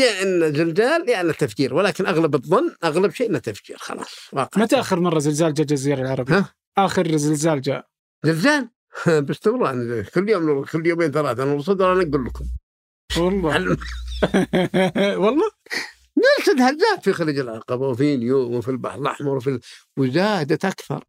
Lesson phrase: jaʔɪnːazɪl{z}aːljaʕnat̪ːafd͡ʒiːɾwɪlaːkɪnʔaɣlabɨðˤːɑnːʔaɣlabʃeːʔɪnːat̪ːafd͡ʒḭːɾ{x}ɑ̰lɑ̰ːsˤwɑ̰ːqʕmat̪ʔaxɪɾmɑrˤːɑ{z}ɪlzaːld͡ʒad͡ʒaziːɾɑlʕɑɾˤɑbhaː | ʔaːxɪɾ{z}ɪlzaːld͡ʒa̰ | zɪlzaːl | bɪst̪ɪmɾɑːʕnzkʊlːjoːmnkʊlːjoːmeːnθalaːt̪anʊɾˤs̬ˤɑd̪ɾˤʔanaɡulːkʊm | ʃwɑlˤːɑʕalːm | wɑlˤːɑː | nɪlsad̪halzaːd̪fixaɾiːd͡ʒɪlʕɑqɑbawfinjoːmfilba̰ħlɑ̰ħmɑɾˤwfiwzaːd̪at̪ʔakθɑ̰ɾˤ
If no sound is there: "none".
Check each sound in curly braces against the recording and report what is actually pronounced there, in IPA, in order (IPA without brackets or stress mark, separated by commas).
z, x, z, z